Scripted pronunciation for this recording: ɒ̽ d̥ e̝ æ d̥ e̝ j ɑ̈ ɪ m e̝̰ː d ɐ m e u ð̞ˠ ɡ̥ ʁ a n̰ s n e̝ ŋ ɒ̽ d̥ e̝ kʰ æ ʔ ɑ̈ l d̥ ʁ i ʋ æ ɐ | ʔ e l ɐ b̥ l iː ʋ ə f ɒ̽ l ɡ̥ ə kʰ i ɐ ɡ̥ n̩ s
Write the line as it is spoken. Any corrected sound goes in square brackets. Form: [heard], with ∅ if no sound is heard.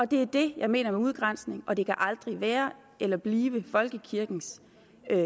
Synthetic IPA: ɒ̽ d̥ e̝ æ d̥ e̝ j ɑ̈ ɪ m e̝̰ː [n] ɐ m e u ð̞ˠ ɡ̥ ʁ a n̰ s n e̝ ŋ ɒ̽ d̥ e̝ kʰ æ ʔ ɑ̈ l d̥ ʁ i ʋ [æː] ɐ | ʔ e l ɐ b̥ l iː ʋ ə f ɒ̽ l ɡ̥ ə kʰ i ɐ ɡ̥ n̩ s